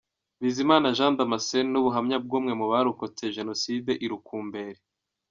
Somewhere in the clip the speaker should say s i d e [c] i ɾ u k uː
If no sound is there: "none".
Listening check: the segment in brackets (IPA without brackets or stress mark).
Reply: ʔ